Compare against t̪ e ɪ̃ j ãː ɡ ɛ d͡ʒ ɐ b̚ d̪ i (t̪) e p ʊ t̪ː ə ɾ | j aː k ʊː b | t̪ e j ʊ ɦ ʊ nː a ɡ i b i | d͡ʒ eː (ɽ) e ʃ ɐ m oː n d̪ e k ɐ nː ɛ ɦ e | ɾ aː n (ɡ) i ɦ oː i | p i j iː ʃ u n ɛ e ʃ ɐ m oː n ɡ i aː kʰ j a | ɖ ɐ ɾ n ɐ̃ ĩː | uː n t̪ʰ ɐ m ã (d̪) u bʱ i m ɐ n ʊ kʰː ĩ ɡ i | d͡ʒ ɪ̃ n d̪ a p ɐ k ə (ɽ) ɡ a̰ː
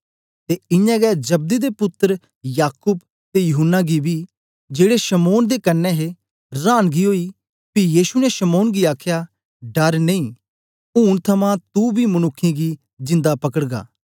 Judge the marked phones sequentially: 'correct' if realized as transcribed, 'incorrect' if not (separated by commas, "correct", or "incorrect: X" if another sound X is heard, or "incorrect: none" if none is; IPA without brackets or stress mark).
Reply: incorrect: d̪, correct, correct, incorrect: t̪, correct